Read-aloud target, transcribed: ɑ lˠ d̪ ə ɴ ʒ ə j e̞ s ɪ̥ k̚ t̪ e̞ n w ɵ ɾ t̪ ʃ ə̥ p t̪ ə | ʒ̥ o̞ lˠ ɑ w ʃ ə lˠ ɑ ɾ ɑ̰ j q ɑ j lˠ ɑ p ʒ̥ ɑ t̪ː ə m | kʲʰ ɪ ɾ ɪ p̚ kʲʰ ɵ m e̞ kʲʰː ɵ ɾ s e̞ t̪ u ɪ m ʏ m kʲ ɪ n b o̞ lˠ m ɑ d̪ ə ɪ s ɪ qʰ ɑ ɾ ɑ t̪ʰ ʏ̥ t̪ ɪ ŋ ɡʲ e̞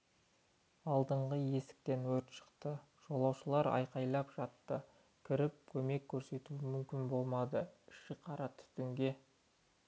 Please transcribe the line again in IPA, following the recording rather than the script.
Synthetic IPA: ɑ lˠ d̪ ə ɴ ʁ ə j e̞ s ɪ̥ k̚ t̪ e̞ n w ɵ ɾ t̪ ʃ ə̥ q t̪ ə | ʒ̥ o̞ lˠ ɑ w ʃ ə lˠ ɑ ɾ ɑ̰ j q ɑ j lˠ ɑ p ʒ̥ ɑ t̪ː ə | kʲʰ ɪ ɾ ɪ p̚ kʲʰ ɵ m e̞ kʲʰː ɵ ɾ s e̞ t̪ u ɪ m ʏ m kʲ ɪ n b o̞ lˠ m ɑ d̪ ə ɪ ʃ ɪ qʰ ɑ ɾ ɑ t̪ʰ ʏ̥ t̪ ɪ ŋ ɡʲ e̞